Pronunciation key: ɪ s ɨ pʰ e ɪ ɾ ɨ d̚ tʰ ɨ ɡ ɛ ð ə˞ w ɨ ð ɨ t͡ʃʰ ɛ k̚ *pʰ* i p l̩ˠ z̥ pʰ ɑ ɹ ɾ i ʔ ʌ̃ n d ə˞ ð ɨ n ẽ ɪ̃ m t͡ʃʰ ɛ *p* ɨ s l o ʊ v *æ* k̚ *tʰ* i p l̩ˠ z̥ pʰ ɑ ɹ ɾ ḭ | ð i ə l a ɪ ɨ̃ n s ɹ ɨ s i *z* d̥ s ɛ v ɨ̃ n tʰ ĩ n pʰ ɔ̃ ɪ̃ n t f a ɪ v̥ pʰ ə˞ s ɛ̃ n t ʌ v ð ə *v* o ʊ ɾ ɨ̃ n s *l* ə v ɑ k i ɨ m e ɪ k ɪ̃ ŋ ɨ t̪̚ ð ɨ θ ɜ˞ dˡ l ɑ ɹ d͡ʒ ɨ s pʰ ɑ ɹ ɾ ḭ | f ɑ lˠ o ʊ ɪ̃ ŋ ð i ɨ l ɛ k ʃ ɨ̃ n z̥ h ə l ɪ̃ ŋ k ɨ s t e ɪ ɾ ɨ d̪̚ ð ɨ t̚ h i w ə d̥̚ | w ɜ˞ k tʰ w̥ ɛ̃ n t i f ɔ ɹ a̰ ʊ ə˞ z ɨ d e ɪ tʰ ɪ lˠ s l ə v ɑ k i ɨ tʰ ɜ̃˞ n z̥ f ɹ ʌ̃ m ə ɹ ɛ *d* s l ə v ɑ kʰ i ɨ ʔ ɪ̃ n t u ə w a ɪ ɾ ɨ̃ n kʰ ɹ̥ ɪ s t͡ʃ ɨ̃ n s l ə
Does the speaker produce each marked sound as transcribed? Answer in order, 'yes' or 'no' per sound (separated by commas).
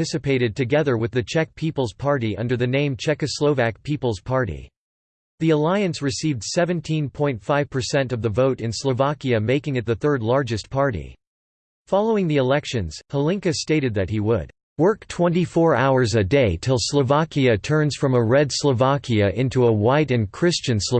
yes, no, yes, no, no, yes, yes, yes